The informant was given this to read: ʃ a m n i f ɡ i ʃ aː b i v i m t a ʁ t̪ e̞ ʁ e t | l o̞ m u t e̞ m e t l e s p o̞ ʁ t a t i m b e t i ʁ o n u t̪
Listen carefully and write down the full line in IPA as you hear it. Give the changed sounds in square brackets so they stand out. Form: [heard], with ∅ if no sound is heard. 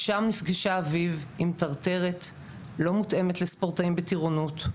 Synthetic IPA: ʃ a m n i f ɡ i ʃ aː [v] i v i m t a ʁ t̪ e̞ ʁ e t | l o̞ m u t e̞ m e t l e s p o̞ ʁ t a [∅] i m b e t i ʁ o n u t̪